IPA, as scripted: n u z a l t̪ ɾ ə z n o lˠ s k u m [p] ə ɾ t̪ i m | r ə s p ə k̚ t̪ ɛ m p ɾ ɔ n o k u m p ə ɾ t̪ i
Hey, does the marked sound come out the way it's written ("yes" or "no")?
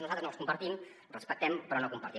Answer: yes